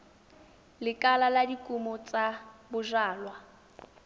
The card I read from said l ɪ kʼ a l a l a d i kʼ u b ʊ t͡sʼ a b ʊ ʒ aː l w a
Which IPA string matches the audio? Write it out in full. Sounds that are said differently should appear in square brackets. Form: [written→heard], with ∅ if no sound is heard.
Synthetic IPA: l ɪ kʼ a l a l a d i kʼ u [b→m] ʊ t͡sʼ a b ʊ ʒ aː l w a